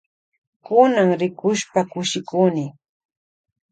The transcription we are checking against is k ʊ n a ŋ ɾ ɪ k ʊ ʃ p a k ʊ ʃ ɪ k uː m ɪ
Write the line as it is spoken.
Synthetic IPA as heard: k ʊ n a ŋ ɾ ɪ k ʊ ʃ p a k ʊ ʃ ɪ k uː n ɪ